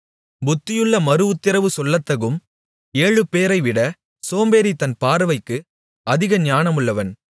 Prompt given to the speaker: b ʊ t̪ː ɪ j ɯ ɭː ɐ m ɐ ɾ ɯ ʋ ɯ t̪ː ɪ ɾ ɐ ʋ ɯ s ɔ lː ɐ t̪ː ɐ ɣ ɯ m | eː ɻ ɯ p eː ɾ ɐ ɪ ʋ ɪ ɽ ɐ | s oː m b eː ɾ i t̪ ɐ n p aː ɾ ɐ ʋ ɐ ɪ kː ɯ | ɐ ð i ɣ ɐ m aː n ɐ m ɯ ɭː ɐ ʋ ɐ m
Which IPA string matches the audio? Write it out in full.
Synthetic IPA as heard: b ʊ t̪ː ɪ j ɯ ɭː ɐ m ɐ ɾ ɯ ʋ ɯ t̪ː ɪ ɾ ɐ ʋ ɯ s ɔ lː ɐ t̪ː ɐ ɣ ɯ m | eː ɻ ɯ p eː ɾ ɐ ɪ ʋ ɪ ɽ ɐ | s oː m b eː ɾ i t̪ ɐ n p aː ɾ ɐ ʋ ɐ ɪ kː ɯ | ɐ ð ɪ ɣ ɐ ɲ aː n ɐ m ɯ ɭː ɐ ʋ ɐ n